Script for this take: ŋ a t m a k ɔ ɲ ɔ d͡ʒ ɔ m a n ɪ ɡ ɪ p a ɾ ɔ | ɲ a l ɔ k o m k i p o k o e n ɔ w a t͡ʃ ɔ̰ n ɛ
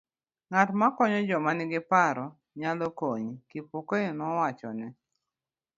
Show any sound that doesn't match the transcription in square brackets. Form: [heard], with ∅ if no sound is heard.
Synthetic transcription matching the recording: ŋ a t m a k ɔ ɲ ɔ d͡ʒ ɔ m a n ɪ ɡ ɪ p a ɾ ɔ | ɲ a l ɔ k o [ɲ] k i p o k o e n ɔ w a t͡ʃ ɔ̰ n ɛ